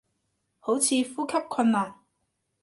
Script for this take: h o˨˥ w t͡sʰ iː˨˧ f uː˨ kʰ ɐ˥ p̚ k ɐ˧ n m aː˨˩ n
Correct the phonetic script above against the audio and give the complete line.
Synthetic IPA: h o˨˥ w t͡sʰ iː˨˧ f uː˥ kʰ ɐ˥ p̚ kʰ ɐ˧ n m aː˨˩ n